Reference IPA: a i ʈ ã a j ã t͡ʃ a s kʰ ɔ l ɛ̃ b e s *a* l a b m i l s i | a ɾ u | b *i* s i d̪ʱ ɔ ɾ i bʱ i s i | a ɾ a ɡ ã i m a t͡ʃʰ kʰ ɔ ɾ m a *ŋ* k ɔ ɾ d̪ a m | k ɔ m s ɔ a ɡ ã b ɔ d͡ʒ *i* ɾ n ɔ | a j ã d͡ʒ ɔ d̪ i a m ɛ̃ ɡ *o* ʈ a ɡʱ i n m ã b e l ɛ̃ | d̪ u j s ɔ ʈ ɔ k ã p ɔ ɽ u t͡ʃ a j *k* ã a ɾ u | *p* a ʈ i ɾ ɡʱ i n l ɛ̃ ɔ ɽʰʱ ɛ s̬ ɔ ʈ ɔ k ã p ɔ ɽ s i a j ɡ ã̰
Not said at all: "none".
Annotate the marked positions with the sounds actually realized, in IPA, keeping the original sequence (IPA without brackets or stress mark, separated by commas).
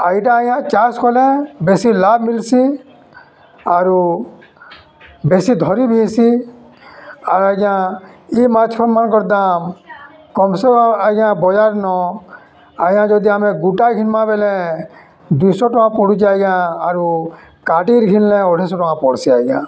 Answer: i, e, n, a, u, ɡ, k